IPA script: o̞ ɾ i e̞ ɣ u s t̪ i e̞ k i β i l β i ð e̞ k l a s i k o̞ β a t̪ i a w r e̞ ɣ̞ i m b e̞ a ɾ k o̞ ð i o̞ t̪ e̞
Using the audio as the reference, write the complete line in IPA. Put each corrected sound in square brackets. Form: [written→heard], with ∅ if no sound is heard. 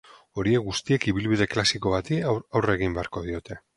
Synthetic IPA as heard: o̞ ɾ i e̞ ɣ u s t̪ i e̞ k i β i l β i ð e̞ k l a s i k o̞ β a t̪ i a w r e̞ ɣ̞ i m b e̞ a ɾ k o̞ ð i o̞ t̪ e̞